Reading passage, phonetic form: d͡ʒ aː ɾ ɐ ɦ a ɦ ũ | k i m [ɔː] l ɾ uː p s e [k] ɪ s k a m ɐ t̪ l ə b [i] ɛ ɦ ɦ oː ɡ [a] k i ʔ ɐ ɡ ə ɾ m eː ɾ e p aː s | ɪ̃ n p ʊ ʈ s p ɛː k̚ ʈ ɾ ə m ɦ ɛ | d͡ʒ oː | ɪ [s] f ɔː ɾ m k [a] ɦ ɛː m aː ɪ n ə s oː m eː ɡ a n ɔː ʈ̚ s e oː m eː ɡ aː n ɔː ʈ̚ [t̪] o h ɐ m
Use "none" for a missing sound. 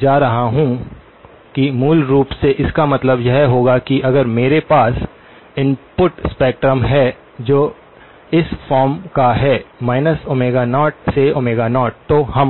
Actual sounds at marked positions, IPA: uː, ʔ, j, a, s, a, t̪

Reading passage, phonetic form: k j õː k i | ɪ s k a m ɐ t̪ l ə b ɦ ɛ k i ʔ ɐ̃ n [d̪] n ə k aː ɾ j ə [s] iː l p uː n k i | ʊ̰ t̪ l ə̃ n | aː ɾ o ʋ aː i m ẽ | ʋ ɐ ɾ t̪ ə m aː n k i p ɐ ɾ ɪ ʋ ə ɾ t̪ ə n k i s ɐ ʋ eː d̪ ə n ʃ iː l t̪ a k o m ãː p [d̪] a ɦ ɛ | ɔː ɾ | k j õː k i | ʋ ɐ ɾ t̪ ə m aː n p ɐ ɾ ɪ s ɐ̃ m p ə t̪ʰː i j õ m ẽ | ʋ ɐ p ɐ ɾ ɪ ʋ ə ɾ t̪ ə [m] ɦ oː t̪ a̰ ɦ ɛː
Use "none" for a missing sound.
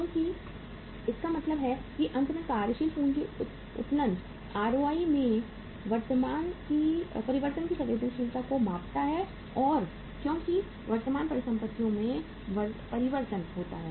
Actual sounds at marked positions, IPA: t̪, ʃ, t̪, n

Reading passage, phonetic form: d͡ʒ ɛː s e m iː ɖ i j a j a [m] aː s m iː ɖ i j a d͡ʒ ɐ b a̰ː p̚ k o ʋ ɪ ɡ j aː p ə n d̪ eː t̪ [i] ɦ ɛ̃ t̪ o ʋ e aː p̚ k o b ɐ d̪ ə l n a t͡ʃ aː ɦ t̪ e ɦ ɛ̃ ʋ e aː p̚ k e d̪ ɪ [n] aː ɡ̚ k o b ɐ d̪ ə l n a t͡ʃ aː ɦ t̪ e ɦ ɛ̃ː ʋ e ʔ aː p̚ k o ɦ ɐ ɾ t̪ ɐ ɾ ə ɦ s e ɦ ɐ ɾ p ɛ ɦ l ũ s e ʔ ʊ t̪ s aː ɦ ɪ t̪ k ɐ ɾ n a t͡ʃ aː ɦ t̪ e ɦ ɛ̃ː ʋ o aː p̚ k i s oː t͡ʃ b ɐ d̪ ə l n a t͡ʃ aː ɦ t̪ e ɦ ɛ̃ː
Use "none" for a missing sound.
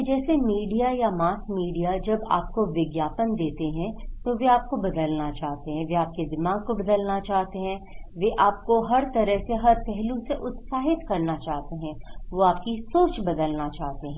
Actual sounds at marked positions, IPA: m, e, m

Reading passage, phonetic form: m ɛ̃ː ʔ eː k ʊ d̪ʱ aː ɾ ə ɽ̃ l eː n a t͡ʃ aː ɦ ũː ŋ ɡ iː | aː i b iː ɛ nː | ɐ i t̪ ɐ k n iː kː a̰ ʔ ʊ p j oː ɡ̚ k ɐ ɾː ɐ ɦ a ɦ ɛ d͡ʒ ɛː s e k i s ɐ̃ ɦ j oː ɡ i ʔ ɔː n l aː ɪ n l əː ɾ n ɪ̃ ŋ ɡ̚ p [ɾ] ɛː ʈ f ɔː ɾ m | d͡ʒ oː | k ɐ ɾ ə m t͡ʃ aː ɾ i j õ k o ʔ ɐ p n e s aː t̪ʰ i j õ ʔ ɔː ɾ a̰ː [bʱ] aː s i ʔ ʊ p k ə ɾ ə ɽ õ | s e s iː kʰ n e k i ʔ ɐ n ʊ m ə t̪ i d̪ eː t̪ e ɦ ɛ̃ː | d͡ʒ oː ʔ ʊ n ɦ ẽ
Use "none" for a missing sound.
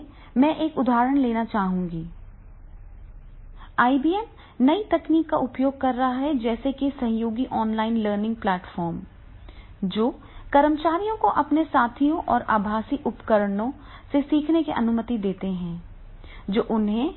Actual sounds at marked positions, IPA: l, bʱ

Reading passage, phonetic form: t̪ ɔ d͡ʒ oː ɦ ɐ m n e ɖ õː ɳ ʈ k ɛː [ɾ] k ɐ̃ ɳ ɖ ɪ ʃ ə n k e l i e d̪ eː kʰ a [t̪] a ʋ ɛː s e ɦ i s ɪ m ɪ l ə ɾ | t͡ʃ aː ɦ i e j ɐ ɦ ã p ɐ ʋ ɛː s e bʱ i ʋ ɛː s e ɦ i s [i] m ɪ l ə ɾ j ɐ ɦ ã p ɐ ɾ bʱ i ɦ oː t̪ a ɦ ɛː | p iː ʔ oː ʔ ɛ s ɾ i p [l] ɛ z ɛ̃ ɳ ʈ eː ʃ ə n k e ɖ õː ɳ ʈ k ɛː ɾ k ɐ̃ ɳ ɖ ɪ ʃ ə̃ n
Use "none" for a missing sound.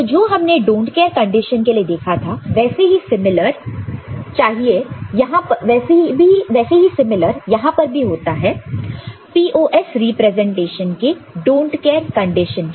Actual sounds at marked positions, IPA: ɾ, t̪ʰ, ɪ, ɾ

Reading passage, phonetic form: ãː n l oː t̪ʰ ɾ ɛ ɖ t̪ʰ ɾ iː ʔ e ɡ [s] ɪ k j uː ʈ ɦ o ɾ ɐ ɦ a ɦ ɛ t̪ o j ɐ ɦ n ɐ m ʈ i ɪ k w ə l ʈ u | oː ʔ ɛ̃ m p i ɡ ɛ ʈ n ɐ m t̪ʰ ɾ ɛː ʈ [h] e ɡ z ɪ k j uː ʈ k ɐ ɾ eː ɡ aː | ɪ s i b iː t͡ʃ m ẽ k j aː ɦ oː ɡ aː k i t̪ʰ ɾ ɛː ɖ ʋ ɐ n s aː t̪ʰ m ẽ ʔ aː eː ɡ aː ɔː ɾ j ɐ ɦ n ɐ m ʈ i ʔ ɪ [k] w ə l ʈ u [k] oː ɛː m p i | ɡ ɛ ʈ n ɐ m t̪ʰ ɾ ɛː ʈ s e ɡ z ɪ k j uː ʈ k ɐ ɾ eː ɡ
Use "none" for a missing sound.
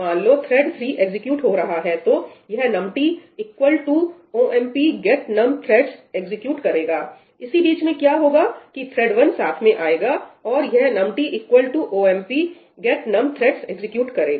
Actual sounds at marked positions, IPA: z, s, k, ʔ

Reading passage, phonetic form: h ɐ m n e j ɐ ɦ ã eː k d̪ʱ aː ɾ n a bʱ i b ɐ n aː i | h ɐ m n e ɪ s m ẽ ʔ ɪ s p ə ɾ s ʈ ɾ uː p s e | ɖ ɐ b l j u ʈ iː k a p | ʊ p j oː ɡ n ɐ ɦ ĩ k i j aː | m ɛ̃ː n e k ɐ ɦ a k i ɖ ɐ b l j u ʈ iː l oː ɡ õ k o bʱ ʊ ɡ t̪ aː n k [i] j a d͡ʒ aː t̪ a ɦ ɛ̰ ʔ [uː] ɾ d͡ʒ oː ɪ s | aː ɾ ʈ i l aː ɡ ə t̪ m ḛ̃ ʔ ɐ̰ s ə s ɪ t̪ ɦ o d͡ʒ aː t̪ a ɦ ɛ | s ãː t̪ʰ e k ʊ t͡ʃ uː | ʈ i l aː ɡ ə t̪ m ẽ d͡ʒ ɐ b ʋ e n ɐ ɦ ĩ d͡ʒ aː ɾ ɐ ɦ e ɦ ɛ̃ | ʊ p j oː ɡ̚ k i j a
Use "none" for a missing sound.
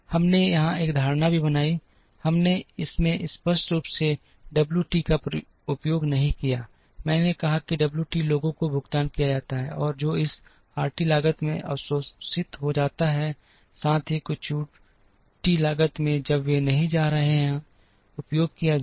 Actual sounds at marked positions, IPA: i, ɔː

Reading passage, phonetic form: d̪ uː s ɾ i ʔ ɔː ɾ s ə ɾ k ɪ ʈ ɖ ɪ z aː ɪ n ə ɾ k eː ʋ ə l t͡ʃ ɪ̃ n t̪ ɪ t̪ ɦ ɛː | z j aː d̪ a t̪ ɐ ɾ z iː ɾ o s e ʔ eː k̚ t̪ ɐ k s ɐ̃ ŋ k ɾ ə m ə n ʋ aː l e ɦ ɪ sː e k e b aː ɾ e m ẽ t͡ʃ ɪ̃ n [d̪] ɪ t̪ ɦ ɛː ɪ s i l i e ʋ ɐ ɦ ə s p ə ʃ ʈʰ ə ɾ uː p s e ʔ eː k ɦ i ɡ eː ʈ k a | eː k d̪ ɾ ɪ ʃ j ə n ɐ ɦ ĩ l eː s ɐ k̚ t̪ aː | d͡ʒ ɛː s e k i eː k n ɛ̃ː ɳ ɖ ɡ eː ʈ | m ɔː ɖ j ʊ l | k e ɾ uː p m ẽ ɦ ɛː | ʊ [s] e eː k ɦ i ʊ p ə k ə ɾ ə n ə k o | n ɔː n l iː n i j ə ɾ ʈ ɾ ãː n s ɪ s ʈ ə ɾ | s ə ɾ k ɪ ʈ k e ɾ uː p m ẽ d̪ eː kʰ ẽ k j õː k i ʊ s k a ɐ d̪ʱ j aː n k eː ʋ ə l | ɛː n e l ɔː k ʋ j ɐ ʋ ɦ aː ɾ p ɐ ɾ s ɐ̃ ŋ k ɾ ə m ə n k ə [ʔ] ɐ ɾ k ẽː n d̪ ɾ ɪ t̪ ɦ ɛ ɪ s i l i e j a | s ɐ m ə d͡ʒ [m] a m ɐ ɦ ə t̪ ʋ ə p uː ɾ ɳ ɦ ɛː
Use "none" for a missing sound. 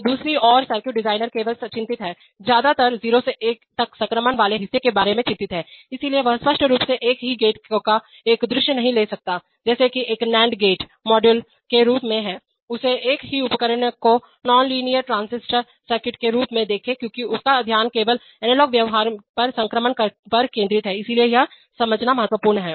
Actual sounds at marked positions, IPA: t̪, s, p, n

